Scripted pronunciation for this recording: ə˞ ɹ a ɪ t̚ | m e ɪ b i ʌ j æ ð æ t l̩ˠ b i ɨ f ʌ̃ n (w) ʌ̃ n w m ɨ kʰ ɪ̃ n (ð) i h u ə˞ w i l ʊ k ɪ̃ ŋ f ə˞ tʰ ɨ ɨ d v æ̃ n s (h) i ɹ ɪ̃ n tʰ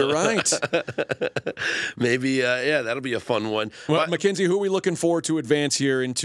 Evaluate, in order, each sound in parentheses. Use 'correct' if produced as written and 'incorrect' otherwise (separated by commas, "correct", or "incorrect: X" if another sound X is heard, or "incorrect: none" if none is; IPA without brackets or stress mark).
correct, incorrect: z, correct